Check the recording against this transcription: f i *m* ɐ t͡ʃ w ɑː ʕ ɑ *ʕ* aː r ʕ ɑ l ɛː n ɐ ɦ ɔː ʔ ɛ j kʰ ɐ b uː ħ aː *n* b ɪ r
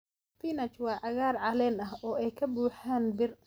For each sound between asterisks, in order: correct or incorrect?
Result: incorrect, incorrect, correct

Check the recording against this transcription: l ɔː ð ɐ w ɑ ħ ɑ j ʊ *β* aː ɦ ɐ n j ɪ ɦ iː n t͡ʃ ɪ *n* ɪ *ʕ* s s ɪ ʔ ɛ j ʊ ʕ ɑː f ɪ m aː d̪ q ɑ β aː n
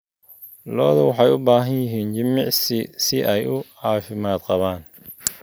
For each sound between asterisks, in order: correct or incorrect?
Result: incorrect, incorrect, correct

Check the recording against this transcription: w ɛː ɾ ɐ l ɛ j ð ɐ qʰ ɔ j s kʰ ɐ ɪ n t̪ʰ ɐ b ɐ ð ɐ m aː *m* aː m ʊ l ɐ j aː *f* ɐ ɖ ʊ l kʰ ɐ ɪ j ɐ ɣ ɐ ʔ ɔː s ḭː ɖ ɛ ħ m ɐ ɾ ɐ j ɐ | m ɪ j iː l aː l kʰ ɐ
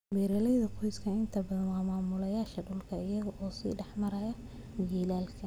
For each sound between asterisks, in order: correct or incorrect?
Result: correct, incorrect

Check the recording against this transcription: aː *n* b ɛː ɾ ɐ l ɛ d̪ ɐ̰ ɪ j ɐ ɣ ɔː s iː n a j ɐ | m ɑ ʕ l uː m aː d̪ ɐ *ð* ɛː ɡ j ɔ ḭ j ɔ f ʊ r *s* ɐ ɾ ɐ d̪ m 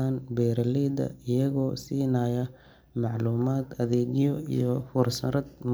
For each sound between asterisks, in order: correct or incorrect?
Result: correct, correct, correct

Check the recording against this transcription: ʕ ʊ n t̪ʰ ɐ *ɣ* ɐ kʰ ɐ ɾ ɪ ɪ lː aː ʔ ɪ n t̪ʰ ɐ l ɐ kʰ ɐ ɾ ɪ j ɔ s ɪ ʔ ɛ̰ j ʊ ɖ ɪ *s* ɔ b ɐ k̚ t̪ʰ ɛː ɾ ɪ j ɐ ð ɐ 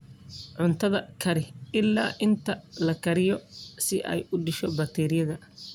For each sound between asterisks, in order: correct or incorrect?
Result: incorrect, incorrect

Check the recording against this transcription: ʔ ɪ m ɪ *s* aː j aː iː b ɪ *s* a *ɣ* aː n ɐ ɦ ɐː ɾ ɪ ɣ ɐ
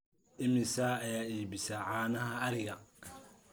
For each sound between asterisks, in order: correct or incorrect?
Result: correct, correct, incorrect

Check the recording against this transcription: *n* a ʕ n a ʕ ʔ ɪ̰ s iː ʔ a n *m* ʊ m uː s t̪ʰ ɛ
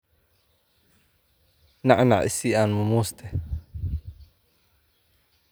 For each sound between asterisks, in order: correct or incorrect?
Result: correct, correct

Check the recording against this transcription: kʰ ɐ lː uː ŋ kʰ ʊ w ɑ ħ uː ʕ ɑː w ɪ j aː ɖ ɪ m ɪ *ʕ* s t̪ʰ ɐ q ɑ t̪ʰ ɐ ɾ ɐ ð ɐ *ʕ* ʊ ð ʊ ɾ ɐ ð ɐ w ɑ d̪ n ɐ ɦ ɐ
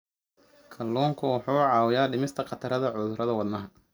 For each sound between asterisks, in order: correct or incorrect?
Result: incorrect, correct

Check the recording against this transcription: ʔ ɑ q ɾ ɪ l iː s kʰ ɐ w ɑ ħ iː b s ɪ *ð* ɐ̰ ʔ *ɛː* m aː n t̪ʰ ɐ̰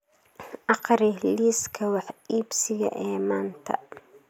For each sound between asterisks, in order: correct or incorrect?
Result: incorrect, correct

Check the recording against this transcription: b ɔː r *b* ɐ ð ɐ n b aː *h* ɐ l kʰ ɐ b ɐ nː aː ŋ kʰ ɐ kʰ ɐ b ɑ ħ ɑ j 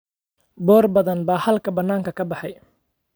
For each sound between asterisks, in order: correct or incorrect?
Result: correct, correct

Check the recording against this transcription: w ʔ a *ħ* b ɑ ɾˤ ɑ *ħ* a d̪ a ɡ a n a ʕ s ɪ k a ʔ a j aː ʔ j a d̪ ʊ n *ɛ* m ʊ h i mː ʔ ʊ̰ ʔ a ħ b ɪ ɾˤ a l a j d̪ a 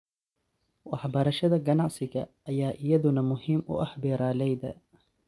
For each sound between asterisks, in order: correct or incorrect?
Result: correct, incorrect, incorrect

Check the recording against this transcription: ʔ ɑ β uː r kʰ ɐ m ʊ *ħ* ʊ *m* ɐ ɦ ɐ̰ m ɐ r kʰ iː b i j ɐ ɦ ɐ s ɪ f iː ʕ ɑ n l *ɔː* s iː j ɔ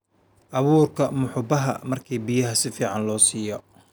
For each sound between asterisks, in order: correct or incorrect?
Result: correct, incorrect, correct

